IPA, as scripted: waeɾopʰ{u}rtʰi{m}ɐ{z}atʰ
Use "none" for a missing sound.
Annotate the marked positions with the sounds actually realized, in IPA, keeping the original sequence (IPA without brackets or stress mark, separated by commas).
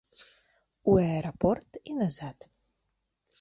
o, n, z